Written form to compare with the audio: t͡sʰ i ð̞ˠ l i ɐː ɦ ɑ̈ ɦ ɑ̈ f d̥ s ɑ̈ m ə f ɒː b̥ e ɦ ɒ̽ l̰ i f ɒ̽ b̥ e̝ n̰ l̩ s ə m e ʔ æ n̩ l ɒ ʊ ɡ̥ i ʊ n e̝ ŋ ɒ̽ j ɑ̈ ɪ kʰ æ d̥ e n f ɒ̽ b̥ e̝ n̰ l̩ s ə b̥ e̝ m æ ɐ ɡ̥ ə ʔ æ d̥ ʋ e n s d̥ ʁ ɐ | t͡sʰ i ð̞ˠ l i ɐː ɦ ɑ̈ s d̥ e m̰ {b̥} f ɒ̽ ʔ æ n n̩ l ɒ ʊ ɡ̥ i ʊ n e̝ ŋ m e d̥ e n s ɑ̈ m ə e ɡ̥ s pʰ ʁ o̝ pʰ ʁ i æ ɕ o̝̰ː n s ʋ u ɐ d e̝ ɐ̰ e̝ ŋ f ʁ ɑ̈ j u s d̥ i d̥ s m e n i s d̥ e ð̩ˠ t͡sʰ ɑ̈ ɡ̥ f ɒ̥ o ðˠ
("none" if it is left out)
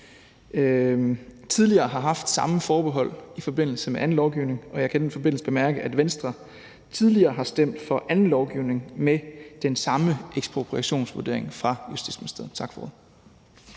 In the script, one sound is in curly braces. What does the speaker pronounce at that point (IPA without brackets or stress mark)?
d̥